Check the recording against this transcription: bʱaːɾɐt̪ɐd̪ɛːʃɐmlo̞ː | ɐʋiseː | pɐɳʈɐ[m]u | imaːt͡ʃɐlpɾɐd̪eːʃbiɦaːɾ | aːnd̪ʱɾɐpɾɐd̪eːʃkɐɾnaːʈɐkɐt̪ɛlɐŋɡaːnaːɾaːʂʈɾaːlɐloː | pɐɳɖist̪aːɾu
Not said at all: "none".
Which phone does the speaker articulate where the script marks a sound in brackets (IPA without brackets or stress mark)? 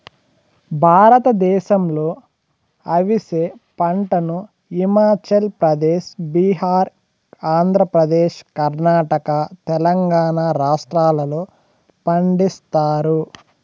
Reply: n